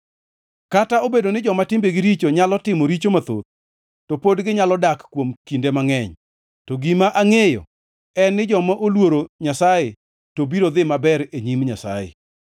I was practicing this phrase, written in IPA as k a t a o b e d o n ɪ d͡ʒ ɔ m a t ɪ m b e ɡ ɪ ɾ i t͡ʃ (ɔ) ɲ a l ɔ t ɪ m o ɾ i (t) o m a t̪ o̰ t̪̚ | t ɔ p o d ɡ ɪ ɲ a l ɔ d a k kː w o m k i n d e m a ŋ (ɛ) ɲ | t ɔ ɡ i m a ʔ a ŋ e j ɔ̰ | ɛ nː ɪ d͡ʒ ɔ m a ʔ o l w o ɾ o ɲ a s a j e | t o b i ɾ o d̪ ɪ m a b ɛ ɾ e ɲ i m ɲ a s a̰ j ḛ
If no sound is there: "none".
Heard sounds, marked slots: o, t͡ʃ, ɛ

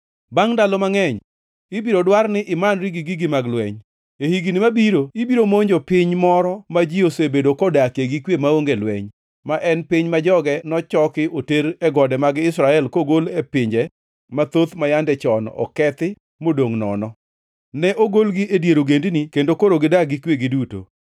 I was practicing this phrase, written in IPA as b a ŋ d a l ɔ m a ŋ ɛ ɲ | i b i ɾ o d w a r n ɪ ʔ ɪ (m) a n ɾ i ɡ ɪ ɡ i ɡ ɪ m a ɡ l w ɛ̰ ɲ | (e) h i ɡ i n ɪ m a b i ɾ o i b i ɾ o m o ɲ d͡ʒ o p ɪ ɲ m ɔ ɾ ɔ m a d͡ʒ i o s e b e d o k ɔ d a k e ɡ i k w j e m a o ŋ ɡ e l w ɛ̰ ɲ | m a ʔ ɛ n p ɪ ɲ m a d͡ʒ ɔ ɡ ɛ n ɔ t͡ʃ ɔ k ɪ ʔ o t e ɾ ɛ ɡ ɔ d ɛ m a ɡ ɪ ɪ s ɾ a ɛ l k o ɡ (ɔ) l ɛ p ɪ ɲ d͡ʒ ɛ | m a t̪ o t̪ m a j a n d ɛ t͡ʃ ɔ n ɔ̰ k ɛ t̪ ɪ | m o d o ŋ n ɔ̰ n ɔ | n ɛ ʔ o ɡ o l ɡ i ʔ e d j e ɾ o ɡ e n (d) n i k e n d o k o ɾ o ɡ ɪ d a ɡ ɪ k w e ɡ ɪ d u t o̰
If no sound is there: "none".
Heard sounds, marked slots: m, e, o, d

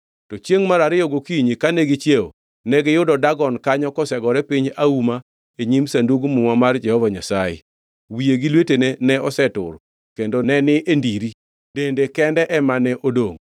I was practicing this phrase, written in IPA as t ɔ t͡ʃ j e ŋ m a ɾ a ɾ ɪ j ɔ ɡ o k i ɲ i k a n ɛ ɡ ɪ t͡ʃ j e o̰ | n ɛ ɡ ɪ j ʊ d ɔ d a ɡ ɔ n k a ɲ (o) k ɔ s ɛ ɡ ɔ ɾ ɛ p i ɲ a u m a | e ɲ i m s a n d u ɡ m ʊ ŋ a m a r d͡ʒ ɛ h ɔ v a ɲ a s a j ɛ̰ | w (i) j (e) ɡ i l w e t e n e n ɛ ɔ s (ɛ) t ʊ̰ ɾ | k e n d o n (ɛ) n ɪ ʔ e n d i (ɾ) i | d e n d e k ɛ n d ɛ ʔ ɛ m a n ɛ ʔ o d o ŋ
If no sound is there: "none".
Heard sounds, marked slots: ɔ, i, e, ɛ, ɛ, ɾ

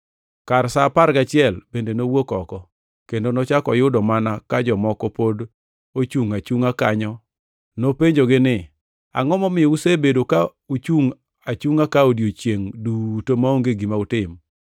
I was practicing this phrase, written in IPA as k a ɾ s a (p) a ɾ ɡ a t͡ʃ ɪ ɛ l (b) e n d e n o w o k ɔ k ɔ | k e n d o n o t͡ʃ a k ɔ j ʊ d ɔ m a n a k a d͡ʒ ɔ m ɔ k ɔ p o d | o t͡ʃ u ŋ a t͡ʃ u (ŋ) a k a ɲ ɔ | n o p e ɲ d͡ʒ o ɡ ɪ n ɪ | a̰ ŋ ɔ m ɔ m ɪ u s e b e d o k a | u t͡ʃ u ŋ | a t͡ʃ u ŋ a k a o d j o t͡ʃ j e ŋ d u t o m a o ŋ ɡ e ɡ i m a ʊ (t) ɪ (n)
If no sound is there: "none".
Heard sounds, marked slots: p, b, ŋ, t, m

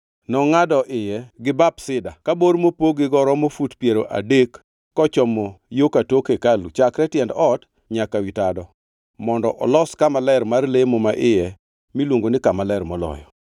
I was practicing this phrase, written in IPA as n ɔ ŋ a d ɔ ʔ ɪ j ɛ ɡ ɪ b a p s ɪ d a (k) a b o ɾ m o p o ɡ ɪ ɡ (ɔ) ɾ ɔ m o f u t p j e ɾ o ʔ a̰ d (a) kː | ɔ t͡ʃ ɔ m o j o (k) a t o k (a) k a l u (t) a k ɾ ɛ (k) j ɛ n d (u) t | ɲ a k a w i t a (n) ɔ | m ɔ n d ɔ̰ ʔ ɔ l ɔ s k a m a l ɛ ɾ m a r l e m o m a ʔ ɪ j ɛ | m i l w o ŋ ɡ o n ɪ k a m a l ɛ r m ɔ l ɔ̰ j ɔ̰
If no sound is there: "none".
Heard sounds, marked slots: k, ɔ, e, k, e, t͡ʃ, t, ɔ, d

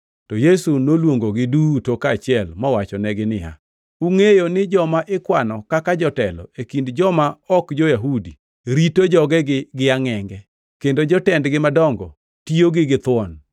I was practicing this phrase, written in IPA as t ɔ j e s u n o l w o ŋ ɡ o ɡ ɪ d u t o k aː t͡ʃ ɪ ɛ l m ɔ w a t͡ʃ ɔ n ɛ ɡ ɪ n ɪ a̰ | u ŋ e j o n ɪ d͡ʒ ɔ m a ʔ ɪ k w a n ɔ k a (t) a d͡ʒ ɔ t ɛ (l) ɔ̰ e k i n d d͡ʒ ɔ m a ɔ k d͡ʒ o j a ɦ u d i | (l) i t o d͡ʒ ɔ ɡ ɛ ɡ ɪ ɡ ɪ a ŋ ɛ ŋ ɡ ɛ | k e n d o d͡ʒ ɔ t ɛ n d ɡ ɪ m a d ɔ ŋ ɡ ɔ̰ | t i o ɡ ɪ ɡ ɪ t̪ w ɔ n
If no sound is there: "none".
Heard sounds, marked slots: k, l, ɾ

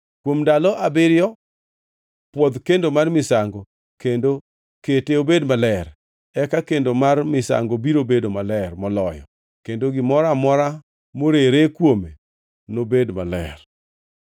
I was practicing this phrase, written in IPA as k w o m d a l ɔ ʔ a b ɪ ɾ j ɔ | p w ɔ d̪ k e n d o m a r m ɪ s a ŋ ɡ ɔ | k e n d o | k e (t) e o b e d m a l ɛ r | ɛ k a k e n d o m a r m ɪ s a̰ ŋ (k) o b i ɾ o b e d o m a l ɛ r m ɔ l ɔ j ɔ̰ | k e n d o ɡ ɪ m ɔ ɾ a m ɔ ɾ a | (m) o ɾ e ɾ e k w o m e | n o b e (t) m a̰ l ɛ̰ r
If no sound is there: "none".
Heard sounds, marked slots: t, ɡ, m, d

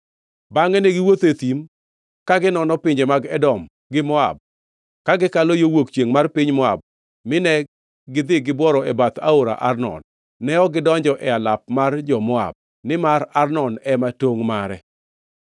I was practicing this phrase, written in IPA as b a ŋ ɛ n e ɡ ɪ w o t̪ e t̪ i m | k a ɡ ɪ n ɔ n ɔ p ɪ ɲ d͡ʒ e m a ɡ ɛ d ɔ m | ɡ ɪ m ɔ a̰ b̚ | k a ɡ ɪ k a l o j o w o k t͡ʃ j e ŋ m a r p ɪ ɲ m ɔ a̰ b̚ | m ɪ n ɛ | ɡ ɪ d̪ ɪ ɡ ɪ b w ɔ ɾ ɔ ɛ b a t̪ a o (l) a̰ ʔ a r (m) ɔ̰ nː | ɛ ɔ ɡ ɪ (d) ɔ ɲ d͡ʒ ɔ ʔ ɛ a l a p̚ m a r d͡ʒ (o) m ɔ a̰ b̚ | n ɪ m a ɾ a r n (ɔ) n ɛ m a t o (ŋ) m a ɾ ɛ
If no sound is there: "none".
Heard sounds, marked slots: ɾ, n, d, ɔ, ɔ, ŋ

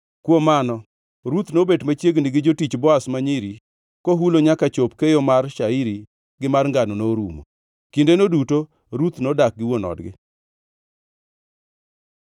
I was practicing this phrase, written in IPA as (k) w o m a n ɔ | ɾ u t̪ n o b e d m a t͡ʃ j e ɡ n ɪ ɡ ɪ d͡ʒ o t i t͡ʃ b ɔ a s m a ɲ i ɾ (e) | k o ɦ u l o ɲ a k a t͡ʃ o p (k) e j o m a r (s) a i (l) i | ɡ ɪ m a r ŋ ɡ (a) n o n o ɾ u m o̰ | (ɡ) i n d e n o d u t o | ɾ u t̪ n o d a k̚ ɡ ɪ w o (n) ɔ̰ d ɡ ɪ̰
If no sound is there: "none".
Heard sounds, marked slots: k, i, k, ʃ, ɾ, a, k, n

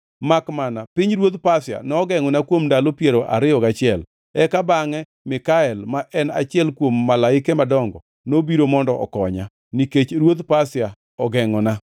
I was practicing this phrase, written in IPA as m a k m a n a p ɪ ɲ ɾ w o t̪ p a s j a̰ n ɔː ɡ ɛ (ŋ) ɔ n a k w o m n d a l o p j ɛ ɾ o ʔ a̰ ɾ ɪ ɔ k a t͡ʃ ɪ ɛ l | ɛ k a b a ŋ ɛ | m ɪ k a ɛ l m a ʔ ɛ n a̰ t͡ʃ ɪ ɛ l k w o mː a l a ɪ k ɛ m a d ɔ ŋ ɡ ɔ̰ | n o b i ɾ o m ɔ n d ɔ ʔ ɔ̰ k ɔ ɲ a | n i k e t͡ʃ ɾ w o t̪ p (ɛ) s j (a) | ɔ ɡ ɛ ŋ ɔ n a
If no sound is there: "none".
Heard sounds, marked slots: ŋ, a, a

